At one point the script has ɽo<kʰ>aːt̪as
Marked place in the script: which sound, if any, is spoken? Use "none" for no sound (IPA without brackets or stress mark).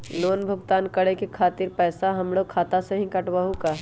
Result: kʰ